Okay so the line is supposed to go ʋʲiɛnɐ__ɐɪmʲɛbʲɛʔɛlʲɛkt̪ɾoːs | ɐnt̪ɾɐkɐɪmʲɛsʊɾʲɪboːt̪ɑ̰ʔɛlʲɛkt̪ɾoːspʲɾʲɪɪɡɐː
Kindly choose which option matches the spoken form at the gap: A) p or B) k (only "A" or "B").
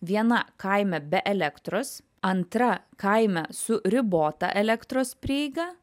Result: B